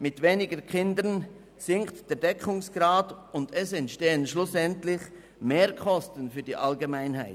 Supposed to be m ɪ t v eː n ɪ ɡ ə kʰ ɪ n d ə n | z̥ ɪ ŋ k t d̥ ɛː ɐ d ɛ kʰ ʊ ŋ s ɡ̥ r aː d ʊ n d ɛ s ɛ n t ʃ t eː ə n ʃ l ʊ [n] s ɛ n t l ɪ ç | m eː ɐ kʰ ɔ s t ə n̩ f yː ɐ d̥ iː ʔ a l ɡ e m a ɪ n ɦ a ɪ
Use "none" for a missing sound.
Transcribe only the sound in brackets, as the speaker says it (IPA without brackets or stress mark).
none